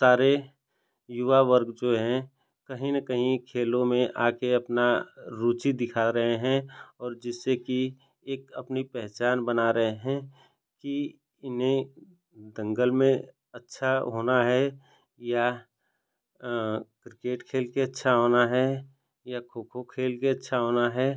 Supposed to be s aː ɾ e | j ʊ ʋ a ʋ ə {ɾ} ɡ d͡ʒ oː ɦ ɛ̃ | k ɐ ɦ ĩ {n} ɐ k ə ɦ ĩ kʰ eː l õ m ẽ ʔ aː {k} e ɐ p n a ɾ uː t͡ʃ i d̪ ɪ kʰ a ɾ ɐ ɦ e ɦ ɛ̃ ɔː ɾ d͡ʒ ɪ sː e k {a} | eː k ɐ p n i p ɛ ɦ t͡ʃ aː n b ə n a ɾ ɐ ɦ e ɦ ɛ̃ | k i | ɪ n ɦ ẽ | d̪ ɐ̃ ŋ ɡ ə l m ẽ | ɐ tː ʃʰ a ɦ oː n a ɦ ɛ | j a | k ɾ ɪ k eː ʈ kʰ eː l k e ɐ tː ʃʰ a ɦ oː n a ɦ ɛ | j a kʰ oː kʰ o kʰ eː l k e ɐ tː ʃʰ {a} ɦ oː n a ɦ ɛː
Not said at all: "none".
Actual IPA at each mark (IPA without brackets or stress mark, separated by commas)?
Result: ɾ, n, k, i, a